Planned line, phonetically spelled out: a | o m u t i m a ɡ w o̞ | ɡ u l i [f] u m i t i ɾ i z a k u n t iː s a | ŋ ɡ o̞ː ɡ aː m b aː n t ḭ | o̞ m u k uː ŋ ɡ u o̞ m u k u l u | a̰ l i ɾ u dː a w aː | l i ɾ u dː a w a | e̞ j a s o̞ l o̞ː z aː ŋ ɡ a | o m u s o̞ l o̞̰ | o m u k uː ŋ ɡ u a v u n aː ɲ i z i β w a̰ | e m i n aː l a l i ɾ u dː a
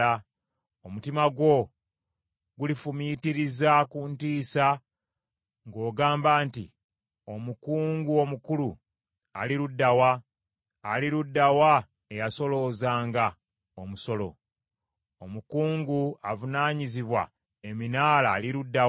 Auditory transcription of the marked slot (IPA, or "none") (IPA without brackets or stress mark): f